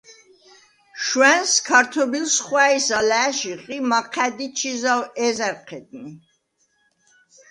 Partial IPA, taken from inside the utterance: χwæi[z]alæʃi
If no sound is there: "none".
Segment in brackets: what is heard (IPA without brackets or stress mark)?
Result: s